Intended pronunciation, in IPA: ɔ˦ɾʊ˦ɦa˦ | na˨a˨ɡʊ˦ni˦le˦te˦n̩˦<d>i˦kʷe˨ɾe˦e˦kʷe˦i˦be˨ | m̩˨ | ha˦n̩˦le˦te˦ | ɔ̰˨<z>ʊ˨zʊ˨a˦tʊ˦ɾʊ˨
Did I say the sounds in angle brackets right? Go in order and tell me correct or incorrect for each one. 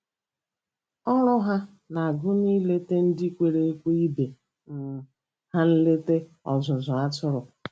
correct, correct

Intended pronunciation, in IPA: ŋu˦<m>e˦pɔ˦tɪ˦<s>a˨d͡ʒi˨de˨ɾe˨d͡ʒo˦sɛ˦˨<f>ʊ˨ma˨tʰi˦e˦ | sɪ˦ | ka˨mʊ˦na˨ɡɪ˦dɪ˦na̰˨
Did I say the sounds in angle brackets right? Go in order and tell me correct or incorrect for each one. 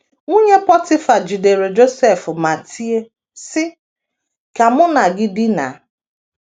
incorrect, incorrect, correct

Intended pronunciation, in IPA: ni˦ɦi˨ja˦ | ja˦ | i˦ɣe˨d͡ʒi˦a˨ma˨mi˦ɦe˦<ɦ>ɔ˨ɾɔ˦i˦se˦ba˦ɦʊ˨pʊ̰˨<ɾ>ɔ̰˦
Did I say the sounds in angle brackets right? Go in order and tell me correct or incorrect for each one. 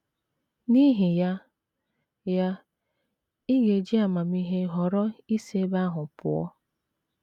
correct, incorrect

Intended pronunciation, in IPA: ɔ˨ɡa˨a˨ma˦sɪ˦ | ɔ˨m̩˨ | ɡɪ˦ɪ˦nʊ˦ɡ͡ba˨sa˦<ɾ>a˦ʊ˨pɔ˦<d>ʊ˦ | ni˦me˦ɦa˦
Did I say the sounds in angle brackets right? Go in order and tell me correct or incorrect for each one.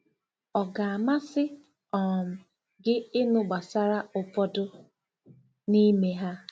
correct, correct

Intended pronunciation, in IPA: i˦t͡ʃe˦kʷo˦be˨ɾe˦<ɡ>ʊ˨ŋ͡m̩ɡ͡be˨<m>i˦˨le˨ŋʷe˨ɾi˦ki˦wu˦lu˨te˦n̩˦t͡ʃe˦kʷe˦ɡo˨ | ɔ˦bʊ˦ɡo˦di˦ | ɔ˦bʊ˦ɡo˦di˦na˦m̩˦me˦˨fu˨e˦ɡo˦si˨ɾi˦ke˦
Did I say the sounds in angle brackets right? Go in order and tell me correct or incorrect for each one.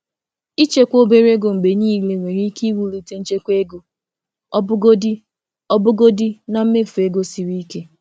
correct, incorrect

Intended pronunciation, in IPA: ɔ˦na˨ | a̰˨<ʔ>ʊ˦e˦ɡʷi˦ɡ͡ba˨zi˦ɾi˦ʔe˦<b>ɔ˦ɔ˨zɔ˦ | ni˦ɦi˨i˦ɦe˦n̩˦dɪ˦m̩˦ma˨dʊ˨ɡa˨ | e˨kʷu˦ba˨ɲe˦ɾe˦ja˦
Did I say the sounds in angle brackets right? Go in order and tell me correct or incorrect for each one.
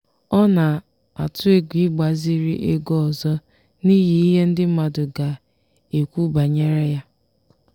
incorrect, incorrect

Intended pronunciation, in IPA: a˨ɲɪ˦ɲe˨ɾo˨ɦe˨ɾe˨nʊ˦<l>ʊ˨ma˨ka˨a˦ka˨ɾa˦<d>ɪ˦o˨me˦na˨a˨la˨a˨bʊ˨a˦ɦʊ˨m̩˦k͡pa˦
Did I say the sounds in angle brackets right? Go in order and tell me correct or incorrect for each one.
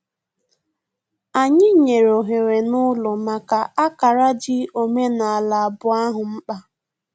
correct, incorrect

